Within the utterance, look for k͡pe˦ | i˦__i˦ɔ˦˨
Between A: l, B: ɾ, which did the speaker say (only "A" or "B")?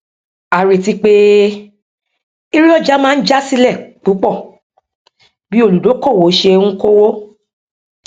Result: B